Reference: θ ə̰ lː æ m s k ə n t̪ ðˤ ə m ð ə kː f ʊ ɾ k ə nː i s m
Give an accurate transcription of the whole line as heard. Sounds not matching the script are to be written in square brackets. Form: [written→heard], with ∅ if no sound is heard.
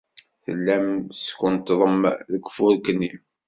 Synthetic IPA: θ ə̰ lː æ m s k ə n t̪ ðˤ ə m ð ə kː f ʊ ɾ k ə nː i [s→∅] m

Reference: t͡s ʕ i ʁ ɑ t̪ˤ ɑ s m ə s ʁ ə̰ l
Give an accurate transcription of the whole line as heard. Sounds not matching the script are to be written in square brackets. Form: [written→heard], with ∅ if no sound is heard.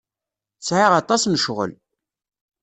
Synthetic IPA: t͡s ʕ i ʁ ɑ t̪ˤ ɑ s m ə [s→ʃ] ʁ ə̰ l

